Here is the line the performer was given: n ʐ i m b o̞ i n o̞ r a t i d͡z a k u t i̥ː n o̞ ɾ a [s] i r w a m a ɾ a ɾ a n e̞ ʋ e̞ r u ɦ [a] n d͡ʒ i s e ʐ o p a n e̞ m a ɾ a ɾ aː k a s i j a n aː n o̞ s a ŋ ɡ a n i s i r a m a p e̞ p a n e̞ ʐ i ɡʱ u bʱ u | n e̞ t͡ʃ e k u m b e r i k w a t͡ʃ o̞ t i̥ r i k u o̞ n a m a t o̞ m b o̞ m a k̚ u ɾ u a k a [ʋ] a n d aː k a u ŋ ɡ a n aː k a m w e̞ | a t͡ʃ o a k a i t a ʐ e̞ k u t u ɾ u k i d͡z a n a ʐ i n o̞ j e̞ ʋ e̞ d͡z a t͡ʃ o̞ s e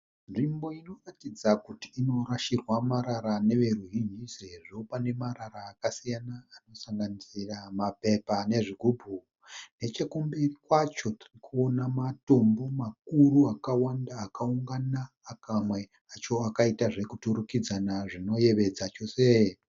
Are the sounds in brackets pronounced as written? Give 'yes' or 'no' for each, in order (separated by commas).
no, no, no